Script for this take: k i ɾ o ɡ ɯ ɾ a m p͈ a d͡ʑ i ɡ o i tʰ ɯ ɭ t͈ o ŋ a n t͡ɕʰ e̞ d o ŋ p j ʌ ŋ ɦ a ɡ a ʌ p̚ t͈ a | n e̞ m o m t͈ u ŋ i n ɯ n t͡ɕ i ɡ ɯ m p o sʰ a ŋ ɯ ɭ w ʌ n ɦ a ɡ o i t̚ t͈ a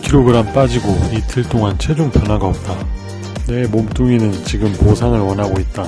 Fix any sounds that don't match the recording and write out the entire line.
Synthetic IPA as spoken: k i ɾ o ɡ ɯ ɾ a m p͈ a d͡ʑ i ɡ o i tʰ ɯ ɭ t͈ o ŋ a n t͡ɕʰ e̞ d͡ʑ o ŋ p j ʌ n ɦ a ɡ a ʌ p̚ t͈ a | n e̞ m o m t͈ u ŋ i n ɯ n t͡ɕ i ɡ ɯ m p o sʰ a ŋ ɯ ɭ w ʌ n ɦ a ɡ o i t̚ t͈ a